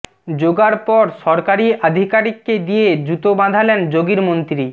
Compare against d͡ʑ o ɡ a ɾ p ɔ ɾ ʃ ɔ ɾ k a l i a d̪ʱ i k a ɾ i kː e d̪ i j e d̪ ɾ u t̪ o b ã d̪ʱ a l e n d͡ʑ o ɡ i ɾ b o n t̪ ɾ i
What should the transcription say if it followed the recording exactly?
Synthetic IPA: d͡ʑ o ɡ a ɾ p ɔ ɾ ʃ ɔ ɾ k a ɾ i a d̪ʱ i k a ɾ i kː e d̪ i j e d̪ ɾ u t̪ o b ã d̪ʱ a l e n d͡ʑ o ɡ i ɾ m o n t̪ ɾ i